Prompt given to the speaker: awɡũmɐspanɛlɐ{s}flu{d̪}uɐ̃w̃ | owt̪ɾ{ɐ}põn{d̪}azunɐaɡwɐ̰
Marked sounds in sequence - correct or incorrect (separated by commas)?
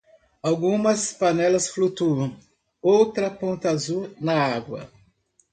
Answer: correct, incorrect, correct, incorrect